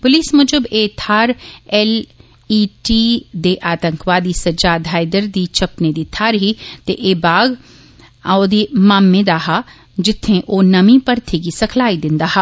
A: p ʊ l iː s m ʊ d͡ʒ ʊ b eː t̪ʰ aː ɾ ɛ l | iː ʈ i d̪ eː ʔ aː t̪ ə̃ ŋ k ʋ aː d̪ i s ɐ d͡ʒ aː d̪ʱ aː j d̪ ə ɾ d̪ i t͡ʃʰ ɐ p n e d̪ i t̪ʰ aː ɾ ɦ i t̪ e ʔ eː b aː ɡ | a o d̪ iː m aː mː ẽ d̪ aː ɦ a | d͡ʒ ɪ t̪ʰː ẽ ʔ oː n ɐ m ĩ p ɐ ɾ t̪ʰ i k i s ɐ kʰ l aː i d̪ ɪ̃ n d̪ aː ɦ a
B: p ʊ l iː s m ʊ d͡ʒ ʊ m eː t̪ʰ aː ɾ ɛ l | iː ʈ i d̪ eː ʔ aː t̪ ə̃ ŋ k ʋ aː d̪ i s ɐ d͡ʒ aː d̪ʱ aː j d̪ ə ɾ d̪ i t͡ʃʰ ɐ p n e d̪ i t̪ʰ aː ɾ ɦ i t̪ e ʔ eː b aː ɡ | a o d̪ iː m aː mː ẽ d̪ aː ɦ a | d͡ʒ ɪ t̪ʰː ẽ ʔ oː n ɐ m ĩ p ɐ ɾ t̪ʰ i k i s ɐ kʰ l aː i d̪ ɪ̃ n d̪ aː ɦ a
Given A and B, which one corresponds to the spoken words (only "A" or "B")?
A